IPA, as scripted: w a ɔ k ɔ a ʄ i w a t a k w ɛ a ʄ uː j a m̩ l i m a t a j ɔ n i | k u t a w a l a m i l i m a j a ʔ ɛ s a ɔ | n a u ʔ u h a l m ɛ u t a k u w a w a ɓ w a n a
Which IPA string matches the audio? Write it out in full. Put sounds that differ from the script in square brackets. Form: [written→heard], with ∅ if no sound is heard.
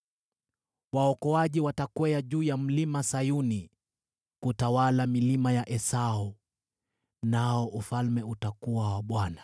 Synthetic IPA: w a ɔ k ɔ a ʄ i w a t a k w ɛ a ʄ uː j a m̩ l i m a [t→s] a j [ɔ→u] n i | k u t a w a l a m i l i m a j a ʔ ɛ s a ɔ | n a [u→ɔ] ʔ u [h→f] a l m ɛ u t a k u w a w a ɓ w a n a